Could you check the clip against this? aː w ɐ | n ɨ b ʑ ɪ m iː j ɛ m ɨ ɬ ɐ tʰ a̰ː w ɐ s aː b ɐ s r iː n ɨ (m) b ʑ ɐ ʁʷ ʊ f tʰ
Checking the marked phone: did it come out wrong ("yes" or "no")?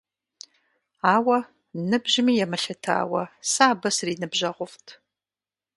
yes